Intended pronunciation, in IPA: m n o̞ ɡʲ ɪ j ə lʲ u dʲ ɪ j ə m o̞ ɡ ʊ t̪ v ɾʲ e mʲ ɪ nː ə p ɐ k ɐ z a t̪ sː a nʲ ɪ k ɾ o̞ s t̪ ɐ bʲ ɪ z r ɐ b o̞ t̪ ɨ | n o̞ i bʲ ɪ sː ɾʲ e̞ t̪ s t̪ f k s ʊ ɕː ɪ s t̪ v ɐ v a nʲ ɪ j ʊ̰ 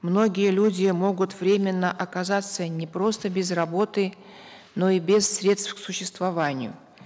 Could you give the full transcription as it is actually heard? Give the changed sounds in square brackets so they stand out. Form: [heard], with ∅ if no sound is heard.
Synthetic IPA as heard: m n o̞ ɡʲ ɪ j ə lʲ u dʲ ɪ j ə m o̞ ɡ ʊ t̪ v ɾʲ e mʲ ɪ nː ə [ʔ] ɐ k ɐ z a t̪ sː [ə] nʲ ɪ [p] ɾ o̞ s t̪ [ə] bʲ ɪ z r ɐ b o̞ t̪ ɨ | n o̞ i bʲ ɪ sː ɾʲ e̞ t̪ s t̪ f k s ʊ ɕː ɪ s t̪ v ɐ v a nʲ ɪ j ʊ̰